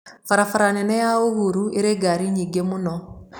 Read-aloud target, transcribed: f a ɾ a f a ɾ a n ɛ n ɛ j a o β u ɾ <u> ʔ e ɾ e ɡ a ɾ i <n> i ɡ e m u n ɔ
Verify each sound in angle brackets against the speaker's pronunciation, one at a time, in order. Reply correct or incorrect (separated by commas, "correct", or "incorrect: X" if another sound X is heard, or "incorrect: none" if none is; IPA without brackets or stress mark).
correct, incorrect: ɲ